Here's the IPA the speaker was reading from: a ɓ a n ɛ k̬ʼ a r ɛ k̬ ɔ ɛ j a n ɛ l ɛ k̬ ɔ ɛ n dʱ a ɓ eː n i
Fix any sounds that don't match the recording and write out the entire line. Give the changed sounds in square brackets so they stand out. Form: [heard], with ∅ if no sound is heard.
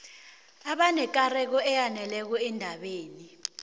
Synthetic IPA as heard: a ɓ a n ɛ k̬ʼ a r ɛ k̬ ɔ ɛ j a n ɛ l ɛ k̬ ɔ ɛ n dʱ a ɓ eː n i